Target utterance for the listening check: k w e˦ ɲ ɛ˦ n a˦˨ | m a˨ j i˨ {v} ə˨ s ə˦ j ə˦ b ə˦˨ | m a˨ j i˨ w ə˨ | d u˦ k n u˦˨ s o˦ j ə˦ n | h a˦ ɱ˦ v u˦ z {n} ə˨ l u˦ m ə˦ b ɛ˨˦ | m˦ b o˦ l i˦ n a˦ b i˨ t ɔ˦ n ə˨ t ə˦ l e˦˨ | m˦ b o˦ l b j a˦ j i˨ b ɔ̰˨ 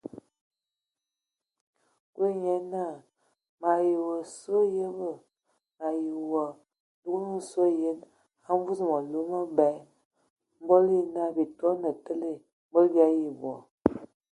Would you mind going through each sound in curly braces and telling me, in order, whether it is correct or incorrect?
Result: incorrect: w, incorrect: m

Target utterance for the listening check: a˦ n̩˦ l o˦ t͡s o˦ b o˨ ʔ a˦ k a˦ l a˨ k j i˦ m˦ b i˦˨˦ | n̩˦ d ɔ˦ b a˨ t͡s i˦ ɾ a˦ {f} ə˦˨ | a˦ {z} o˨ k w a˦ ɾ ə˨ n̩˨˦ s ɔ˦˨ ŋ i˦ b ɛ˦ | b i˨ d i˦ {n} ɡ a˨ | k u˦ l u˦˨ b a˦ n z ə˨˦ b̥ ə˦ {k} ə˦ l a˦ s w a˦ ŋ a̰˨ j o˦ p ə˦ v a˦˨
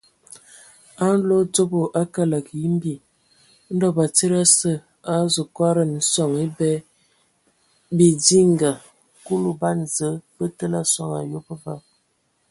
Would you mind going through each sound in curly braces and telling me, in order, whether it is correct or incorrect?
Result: incorrect: s, correct, incorrect: ŋ, incorrect: t

